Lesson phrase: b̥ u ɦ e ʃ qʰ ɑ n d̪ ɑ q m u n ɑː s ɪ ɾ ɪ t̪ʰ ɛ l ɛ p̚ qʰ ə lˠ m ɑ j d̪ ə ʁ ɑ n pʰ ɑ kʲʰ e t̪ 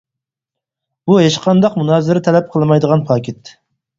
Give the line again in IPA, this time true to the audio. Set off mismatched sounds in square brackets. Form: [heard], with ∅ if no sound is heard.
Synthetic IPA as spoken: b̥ u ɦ e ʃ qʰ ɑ n d̪ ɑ q m u n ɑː [z] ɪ ɾ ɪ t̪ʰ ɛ l ɛ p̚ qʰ ə lˠ m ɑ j d̪ ə ʁ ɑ n pʰ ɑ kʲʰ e t̪